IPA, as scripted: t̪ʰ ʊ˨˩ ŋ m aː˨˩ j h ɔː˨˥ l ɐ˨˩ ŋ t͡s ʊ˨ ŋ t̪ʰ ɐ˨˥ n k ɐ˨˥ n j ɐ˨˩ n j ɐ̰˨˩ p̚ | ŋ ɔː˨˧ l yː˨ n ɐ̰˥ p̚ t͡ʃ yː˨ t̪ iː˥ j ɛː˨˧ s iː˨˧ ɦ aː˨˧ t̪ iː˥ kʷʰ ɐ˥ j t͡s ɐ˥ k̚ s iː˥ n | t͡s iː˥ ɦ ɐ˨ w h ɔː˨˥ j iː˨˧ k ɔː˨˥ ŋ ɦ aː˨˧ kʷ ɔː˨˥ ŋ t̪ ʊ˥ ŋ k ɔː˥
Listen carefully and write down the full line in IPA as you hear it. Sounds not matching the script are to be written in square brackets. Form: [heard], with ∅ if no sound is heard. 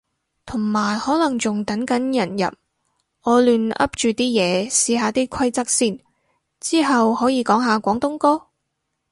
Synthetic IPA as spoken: t̪ʰ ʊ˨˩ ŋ m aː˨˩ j h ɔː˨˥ l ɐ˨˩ ŋ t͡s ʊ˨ ŋ [t̪] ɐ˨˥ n k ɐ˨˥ n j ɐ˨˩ n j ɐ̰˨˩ p̚ | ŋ ɔː˨˧ l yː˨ n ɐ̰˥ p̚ t͡ʃ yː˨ t̪ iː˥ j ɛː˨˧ s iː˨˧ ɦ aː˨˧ t̪ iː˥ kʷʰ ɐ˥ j t͡s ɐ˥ k̚ s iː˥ n | t͡s iː˥ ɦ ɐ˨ w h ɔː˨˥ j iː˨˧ k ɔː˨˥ ŋ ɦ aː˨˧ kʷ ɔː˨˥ ŋ t̪ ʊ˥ ŋ k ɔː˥